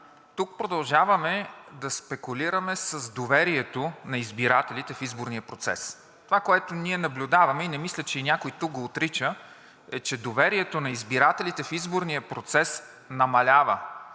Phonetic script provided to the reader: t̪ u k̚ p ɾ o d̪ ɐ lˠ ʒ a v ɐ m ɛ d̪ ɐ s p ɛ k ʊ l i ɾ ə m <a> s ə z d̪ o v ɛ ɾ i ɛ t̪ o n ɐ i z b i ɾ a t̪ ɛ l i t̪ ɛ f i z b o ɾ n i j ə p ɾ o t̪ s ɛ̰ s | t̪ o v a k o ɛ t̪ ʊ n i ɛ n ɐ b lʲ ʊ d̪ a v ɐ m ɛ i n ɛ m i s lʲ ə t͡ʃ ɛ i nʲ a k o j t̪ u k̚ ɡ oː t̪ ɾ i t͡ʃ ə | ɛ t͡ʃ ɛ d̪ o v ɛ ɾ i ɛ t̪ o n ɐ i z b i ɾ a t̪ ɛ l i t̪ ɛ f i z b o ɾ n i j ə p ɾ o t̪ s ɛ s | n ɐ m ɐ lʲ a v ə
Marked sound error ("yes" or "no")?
yes